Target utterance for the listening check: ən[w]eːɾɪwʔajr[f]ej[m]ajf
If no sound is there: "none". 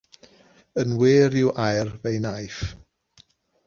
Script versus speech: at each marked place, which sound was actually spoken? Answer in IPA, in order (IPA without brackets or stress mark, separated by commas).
w, v, n